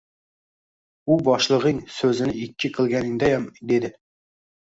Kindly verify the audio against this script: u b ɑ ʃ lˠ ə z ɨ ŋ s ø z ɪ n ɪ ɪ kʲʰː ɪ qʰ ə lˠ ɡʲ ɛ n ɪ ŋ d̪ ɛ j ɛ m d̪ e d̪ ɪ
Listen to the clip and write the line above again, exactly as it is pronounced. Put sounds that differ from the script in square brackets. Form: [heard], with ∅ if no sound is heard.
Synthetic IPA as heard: u b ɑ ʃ lˠ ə [ʁ] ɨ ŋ s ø z ɪ n ɪ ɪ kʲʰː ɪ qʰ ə lˠ ɡʲ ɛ n ɪ ŋ d̪ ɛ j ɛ m d̪ e d̪ ɪ

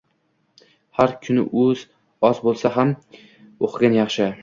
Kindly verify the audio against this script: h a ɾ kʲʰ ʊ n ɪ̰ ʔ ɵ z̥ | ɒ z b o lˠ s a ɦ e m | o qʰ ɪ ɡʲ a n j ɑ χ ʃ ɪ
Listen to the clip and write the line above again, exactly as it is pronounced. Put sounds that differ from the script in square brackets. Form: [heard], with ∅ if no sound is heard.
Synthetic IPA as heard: h a ɾ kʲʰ ʊ n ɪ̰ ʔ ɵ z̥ | ɒ z b o lˠ s a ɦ [a] m | o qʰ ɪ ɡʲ a n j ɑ χ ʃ ɪ

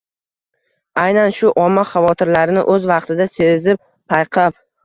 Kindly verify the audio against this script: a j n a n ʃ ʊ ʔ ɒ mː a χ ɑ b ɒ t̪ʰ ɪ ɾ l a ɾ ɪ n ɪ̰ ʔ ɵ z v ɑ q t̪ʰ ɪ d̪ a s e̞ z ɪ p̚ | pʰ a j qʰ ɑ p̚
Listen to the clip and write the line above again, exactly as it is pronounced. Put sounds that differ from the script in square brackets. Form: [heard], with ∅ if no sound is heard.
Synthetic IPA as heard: a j n a n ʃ ʊ ʔ ɒ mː a χ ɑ [v] ɒ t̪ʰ ɪ ɾ l a ɾ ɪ n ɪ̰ ʔ ɵ z v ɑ q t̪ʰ ɪ d̪ a s e̞ z ɪ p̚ | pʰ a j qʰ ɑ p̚

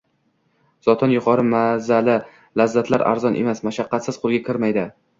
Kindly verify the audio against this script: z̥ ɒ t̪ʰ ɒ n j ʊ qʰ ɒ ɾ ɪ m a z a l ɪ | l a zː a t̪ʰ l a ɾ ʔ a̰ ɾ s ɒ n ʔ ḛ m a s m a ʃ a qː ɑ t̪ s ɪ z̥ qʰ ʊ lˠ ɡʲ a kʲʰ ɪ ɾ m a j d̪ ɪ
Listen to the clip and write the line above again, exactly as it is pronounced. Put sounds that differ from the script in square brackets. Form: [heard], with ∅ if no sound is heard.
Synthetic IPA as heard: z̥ ɒ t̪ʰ ɒ n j ʊ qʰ ɒ ɾ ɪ m a z a l ɪ | l a zː a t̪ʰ l a ɾ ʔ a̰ ɾ [z] ɒ n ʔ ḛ m a s m a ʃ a qː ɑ t̪ s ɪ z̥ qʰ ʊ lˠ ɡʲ a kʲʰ ɪ ɾ m a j d̪ ɪ

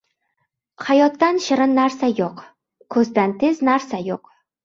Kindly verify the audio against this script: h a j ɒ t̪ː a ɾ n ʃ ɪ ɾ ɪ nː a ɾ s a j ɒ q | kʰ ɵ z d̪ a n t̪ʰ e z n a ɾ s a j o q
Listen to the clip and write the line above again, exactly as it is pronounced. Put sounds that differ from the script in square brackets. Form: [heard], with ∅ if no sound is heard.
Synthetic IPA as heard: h a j ɒ t̪ː a [∅] n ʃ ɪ ɾ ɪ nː a ɾ s a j [o] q | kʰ ɵ z d̪ a n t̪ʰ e z n a ɾ s a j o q

